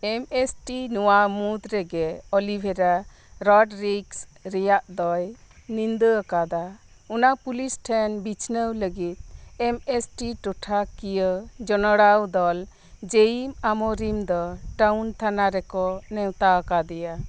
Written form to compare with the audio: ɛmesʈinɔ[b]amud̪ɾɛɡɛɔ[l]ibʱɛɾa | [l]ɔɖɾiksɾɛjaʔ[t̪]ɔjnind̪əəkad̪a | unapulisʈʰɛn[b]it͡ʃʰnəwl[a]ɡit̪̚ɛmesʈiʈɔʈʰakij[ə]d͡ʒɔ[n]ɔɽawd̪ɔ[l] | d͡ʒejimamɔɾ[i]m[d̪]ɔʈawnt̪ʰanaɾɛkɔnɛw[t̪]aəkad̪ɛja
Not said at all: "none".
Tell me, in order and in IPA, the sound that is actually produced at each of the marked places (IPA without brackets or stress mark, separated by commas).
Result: w, l, ɾ, d̪, b, ə, ə, n, l, i, d̪, t̪